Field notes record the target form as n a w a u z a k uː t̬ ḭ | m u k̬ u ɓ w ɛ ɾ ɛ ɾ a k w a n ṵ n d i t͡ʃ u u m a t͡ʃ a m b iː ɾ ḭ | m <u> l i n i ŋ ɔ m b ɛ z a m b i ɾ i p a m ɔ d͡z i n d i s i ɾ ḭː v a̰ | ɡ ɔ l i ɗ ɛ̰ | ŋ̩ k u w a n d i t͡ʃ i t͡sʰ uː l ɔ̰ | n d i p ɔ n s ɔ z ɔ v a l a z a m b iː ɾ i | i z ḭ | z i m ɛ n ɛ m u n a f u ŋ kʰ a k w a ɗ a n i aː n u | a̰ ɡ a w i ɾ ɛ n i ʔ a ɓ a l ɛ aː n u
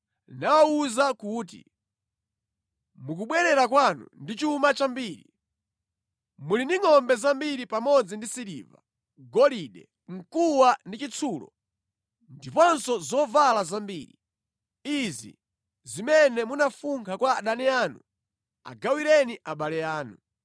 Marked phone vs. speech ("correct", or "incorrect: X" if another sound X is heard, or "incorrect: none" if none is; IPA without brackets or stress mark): correct